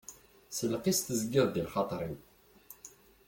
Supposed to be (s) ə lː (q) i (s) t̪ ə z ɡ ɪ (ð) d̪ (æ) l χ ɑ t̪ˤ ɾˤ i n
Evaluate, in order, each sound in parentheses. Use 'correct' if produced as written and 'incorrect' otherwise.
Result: correct, correct, correct, correct, incorrect

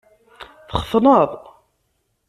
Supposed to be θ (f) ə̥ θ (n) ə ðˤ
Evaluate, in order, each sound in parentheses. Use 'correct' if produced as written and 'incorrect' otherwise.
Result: incorrect, correct

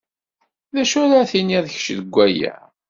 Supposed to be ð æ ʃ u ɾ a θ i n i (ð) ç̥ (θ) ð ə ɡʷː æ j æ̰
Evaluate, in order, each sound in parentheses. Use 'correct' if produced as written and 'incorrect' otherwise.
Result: correct, incorrect

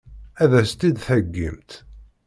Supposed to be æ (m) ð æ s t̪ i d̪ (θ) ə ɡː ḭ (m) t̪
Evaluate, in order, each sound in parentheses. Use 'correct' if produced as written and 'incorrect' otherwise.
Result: incorrect, correct, correct

